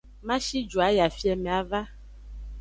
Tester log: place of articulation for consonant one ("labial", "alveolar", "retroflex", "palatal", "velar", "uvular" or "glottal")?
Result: labial